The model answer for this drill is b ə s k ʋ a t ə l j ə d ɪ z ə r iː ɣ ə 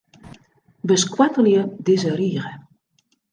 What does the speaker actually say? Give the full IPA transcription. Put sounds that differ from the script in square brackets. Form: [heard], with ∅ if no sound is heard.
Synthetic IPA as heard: b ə s k [w] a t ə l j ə d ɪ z ə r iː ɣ ə